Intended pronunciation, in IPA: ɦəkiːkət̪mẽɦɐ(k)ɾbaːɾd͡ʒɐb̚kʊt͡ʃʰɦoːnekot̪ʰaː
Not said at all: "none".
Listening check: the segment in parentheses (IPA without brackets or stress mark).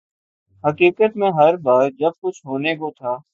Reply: none